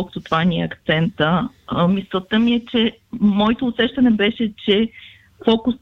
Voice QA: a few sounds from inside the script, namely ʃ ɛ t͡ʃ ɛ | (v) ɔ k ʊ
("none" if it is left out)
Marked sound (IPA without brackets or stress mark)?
f